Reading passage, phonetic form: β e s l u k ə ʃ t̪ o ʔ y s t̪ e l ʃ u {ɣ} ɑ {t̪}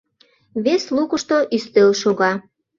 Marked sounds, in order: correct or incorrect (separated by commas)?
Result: correct, incorrect